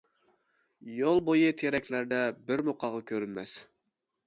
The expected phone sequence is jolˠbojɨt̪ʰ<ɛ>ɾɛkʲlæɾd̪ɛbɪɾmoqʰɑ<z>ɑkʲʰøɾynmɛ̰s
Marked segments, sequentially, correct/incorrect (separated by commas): incorrect, incorrect